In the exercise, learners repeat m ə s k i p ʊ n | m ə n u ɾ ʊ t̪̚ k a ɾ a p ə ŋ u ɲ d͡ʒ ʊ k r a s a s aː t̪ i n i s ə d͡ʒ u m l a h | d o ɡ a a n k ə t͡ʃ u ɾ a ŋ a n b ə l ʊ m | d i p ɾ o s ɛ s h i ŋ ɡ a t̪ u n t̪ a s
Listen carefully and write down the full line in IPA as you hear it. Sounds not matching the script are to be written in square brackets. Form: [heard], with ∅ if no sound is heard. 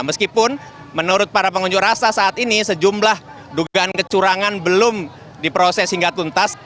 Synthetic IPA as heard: m ə s k i p ʊ n | m ə n u ɾ ʊ t̪̚ [p] a ɾ a p ə ŋ u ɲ d͡ʒ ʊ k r a s a s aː t̪ i n i s ə d͡ʒ u m l a h | d [u] ɡ a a n k ə t͡ʃ u ɾ a ŋ a n b ə l ʊ m | d i p ɾ o s ɛ s h i ŋ ɡ a t̪ u n t̪ a s